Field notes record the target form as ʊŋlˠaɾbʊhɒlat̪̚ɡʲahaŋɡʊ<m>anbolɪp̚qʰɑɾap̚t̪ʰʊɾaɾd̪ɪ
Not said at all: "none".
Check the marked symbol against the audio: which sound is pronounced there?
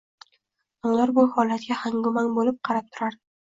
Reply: m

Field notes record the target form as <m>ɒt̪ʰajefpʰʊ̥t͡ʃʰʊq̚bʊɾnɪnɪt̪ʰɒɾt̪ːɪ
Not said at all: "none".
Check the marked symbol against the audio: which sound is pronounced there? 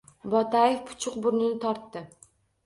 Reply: b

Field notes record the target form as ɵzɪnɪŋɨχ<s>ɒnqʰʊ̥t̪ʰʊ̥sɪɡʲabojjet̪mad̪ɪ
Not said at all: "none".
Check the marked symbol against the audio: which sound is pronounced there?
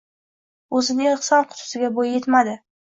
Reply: s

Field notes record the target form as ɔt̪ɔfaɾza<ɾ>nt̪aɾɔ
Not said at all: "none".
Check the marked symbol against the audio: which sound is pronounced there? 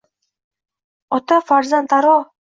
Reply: none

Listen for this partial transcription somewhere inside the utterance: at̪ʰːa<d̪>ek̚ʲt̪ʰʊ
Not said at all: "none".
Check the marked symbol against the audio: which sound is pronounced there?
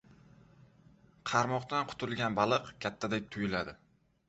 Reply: d̪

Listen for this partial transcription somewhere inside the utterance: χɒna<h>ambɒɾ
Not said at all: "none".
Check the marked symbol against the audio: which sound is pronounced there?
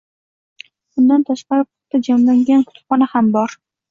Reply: h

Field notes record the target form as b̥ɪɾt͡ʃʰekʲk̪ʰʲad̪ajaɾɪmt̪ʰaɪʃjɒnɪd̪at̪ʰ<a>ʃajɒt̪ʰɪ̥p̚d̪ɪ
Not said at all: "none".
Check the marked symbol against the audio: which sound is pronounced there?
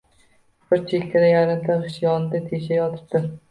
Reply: e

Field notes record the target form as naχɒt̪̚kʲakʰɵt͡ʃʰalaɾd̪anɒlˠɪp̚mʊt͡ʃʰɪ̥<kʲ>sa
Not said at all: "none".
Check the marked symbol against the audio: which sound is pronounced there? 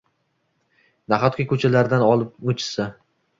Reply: none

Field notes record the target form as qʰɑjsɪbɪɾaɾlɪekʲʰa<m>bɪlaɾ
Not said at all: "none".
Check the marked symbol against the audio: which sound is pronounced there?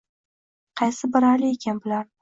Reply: n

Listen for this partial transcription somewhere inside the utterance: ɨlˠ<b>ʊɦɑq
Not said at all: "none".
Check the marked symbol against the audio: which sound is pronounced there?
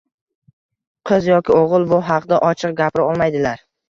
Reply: b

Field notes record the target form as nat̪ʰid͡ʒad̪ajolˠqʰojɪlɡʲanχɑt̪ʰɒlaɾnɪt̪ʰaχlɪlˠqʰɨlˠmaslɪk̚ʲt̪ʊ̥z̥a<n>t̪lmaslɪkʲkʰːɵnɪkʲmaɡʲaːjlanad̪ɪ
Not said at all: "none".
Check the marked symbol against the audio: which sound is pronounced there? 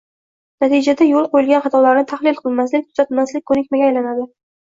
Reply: none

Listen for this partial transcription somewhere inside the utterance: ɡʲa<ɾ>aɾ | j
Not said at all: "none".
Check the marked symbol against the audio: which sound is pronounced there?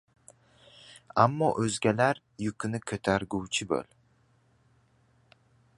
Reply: l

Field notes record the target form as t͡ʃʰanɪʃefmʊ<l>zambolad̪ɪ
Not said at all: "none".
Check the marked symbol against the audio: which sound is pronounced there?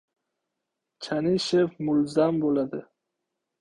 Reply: l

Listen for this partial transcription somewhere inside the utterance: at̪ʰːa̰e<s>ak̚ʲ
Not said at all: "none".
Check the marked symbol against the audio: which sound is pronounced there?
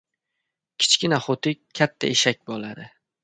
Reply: ʃ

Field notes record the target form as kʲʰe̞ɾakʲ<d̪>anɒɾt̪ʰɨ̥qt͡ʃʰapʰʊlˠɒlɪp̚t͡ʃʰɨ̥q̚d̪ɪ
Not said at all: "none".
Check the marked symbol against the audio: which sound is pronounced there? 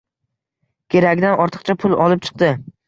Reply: d̪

